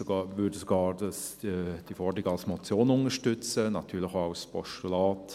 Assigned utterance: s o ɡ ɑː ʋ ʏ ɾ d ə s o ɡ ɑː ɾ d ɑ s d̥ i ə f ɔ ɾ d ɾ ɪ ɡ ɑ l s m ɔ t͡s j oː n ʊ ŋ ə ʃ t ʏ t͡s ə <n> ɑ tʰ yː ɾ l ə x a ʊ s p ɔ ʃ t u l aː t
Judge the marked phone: correct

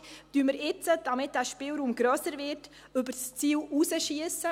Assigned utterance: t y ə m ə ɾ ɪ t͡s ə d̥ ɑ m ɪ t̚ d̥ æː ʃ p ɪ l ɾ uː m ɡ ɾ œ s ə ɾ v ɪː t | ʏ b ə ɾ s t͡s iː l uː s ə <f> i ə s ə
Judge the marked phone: incorrect: ʃ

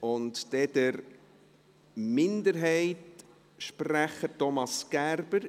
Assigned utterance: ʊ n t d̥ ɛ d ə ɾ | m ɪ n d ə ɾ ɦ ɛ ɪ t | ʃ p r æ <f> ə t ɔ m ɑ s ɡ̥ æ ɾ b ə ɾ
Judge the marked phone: incorrect: χ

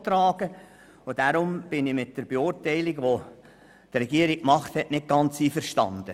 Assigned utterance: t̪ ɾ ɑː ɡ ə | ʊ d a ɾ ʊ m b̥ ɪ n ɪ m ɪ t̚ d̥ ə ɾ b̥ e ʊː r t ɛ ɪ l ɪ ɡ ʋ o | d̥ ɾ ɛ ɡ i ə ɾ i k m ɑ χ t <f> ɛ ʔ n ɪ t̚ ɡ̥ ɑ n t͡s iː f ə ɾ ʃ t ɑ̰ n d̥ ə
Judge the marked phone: incorrect: h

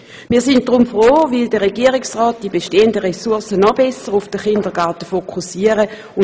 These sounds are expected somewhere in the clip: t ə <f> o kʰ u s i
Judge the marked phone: correct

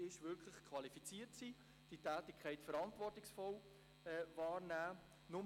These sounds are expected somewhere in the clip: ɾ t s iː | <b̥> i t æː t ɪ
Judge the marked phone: incorrect: d̥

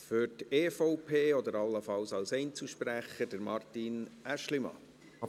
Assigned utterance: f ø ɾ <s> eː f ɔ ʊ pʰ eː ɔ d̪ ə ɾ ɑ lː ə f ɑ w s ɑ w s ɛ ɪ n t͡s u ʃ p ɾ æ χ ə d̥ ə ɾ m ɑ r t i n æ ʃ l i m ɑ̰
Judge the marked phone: incorrect: t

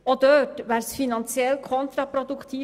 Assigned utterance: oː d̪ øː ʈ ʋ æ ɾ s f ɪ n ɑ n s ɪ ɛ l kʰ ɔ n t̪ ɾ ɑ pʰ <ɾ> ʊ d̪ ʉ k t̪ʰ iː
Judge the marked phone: correct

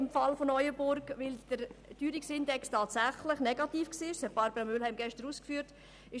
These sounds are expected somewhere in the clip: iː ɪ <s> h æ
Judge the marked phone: incorrect: ʃ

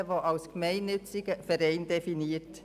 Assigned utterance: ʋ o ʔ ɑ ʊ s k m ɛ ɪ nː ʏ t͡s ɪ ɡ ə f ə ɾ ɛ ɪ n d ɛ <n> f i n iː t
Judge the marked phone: incorrect: none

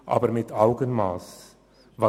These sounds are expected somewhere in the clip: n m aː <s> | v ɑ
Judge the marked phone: correct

